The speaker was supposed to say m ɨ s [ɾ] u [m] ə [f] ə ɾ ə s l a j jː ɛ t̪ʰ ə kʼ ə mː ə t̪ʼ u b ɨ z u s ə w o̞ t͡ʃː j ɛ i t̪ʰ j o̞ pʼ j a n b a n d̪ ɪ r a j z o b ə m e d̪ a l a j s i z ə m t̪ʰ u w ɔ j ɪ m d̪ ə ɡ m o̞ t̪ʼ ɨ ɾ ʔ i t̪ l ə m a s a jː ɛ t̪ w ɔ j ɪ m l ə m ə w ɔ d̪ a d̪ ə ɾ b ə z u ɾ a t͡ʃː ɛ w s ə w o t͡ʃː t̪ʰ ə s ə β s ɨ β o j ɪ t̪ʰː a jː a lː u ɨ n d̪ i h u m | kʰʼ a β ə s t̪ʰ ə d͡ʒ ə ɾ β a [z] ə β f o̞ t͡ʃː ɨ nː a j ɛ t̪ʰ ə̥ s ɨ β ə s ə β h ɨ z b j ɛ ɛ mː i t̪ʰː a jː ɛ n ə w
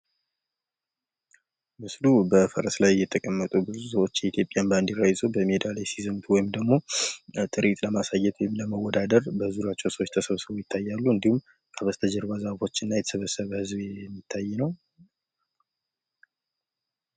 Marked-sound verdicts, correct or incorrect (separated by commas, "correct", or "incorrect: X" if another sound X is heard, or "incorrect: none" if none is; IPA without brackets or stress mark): incorrect: l, incorrect: b, correct, correct